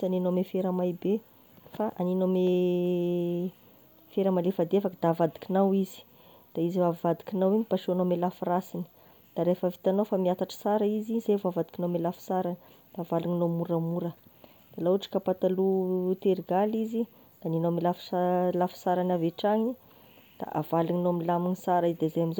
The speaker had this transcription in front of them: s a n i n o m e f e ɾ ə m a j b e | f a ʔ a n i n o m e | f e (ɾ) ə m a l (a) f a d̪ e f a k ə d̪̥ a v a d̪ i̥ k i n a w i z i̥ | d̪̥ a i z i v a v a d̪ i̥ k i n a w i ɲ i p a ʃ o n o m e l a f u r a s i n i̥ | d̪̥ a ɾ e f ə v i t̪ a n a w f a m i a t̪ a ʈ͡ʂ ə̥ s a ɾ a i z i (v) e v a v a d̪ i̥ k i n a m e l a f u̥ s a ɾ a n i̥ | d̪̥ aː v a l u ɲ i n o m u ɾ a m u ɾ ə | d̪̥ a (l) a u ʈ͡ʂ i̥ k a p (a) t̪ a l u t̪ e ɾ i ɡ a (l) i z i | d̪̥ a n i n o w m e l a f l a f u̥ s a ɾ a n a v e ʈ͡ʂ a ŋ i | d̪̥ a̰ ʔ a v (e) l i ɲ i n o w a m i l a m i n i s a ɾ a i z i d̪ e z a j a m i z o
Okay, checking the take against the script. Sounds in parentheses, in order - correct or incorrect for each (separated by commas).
correct, incorrect, incorrect, correct, correct, correct, incorrect